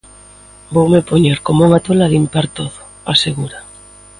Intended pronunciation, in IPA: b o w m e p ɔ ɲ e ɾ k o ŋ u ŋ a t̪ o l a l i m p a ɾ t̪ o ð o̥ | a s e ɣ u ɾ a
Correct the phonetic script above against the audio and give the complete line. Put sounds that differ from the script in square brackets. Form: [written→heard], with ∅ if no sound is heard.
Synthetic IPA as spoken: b o w m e p [ɔ→o] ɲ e ɾ k o [ŋ→m] u ŋ a t̪ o l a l i m p a ɾ t̪ o ð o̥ | a s e ɣ u ɾ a